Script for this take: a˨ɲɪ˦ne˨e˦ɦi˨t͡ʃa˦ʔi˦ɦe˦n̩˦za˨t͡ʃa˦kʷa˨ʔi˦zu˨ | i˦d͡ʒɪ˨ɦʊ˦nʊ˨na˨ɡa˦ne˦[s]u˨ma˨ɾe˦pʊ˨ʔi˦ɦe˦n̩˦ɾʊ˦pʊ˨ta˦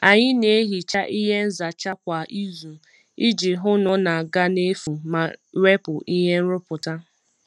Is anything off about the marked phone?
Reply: yes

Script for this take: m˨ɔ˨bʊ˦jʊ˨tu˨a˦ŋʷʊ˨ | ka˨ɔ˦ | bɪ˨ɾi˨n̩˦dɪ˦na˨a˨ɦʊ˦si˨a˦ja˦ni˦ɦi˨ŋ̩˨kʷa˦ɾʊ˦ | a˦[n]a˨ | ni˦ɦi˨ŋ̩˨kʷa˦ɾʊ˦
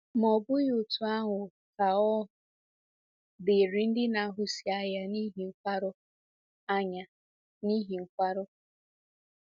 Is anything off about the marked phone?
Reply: yes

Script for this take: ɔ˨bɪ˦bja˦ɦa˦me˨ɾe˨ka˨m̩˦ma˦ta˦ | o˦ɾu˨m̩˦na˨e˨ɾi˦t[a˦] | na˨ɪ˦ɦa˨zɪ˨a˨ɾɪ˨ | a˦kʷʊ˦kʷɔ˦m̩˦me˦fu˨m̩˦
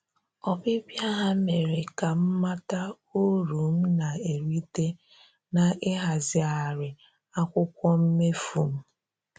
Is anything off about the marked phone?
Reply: yes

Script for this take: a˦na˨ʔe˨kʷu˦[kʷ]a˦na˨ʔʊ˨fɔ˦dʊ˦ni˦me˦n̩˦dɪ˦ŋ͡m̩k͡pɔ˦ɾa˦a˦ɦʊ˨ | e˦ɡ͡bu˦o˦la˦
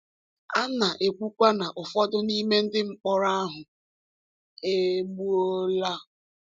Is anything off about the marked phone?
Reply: no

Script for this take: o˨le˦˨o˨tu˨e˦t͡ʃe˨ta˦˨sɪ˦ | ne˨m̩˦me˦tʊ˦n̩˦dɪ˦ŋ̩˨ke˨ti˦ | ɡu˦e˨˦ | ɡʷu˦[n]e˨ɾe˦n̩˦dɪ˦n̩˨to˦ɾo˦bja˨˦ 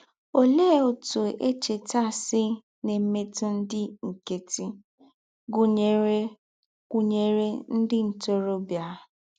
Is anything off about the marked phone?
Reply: yes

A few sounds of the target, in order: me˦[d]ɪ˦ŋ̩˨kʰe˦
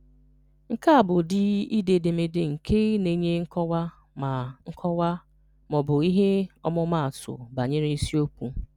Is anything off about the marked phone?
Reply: no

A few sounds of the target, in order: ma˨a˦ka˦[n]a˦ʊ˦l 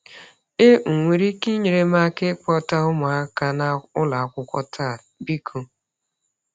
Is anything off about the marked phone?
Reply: no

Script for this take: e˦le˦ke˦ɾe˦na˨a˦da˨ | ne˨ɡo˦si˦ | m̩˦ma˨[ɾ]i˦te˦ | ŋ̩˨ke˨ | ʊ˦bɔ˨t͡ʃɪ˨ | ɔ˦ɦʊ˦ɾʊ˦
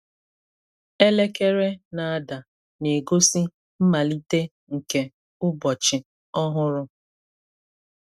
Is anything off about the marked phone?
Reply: yes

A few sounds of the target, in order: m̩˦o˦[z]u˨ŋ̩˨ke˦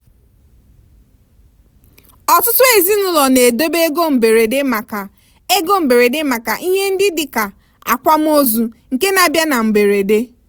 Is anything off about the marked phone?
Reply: no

